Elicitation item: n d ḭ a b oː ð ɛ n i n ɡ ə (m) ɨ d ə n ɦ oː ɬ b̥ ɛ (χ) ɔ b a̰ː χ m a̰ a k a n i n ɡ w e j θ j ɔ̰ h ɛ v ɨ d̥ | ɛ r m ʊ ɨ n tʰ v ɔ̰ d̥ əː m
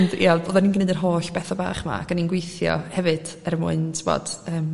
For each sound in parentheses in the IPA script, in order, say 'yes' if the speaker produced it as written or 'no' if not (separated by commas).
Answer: no, no